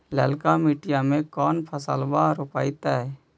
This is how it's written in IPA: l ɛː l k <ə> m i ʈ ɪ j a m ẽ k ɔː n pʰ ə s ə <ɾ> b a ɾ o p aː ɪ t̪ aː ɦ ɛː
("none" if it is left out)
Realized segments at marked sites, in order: a, l

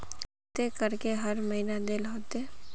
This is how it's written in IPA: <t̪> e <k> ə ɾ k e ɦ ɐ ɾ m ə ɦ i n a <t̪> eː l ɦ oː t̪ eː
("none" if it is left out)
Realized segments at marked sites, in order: t̪, k, d̪

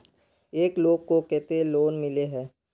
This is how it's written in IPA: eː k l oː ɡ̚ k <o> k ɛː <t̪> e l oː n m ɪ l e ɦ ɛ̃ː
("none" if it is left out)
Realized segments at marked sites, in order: o, t̪

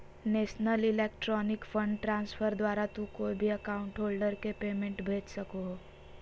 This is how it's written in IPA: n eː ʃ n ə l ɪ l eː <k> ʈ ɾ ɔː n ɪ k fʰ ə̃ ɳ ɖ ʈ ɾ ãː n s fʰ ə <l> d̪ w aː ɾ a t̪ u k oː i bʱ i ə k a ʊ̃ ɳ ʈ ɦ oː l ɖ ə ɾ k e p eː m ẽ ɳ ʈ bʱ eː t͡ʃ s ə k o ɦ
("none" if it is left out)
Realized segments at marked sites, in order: k, ɾ

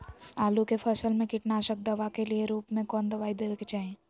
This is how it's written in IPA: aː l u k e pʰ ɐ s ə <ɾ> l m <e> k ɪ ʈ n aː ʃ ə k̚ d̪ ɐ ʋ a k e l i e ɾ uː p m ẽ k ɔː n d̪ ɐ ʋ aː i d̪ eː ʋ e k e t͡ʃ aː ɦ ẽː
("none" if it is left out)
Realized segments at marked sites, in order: none, ẽ

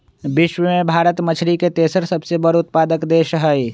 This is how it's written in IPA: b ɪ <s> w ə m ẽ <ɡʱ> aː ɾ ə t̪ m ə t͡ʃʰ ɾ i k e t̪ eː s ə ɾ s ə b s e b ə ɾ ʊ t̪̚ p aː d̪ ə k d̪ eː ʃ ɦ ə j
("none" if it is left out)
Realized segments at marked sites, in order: ʃ, bʱ

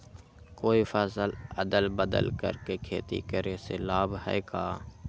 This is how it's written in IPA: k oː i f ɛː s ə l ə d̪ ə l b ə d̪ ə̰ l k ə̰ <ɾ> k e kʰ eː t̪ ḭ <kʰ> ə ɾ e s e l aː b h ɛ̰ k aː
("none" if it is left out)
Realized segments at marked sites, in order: ɾ, k

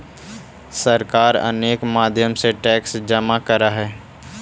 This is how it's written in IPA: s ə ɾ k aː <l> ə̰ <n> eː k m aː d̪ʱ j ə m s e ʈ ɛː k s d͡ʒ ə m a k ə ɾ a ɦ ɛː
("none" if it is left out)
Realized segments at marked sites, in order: ɾ, n

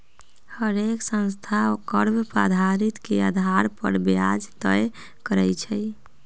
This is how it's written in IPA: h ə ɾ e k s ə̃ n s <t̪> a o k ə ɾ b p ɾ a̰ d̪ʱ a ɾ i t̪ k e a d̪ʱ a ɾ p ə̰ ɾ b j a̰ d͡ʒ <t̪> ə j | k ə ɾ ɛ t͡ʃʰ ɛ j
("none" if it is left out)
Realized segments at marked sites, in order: t̪ʰ, t̪

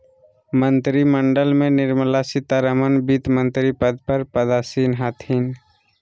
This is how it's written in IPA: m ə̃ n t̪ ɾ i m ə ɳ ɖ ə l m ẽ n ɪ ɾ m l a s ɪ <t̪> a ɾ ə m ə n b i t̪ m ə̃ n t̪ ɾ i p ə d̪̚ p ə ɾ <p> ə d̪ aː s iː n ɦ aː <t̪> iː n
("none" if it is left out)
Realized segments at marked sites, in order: t̪, p, t̪ʰ

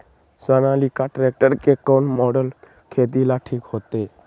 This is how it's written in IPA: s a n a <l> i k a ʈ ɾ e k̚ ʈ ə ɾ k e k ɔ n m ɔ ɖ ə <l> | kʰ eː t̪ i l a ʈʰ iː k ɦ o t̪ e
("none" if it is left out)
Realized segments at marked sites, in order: l, l

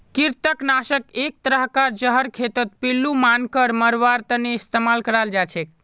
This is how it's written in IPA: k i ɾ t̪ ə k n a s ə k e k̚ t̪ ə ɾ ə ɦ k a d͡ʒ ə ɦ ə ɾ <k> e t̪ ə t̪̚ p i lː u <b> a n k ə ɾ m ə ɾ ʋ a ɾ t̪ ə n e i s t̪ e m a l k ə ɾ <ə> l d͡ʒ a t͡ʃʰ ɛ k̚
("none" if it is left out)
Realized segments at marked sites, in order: kʰ, m, a

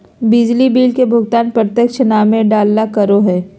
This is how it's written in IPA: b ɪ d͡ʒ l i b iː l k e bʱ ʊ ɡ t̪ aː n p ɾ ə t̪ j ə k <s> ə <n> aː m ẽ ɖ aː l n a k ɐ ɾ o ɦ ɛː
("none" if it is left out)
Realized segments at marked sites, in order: ʃ, n

